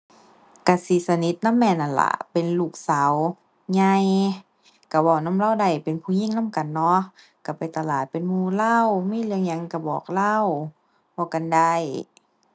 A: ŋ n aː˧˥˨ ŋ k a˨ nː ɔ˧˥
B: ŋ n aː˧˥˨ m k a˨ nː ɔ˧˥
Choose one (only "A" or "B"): B